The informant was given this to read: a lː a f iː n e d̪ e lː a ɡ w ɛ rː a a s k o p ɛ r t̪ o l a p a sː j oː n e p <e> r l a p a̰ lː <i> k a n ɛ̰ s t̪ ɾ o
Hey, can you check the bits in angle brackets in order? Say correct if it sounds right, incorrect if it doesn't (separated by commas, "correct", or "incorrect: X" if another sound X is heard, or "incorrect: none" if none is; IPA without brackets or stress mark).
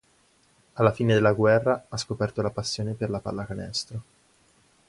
correct, incorrect: a